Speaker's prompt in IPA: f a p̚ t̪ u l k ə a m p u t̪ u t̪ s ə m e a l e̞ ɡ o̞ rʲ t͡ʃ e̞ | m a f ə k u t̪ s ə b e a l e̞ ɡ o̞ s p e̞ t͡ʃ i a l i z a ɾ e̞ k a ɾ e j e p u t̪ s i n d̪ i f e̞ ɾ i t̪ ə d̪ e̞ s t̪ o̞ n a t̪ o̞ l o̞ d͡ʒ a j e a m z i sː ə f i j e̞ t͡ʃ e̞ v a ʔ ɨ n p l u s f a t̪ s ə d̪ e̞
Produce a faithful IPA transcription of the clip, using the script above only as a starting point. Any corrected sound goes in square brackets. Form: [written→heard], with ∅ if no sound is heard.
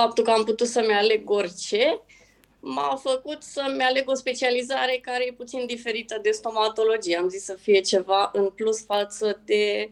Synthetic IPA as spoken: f a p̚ t̪ u l k ə a m p u t̪ u t̪ s ə m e a l e̞ ɡ o̞ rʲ t͡ʃ e̞ | m a f ə k u t̪ s ə [b→m] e a l e̞ ɡ o̞ s p e̞ t͡ʃ i a l i z a ɾ e̞ k a ɾ e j e p u t̪ s i n d̪ i f e̞ ɾ i t̪ ə d̪ e̞ s t̪ o̞ [n→m] a t̪ o̞ l o̞ d͡ʒ [a→i] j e a m z i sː ə f i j e̞ t͡ʃ e̞ v a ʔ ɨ n p l u s f a t̪ s ə d̪ e̞